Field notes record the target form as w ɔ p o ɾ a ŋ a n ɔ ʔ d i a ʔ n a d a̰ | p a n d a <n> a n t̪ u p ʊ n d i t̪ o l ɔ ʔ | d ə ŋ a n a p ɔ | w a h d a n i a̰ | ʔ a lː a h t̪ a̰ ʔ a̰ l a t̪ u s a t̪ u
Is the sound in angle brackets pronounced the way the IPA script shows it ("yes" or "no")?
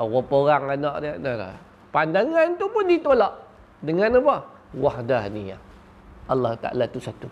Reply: no